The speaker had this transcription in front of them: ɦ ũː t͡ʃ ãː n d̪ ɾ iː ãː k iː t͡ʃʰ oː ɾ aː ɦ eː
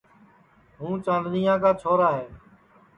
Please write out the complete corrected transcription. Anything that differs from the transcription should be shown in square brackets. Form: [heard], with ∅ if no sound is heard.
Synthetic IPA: ɦ ũː t͡ʃ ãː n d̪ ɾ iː ãː k [aː] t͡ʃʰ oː ɾ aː ɦ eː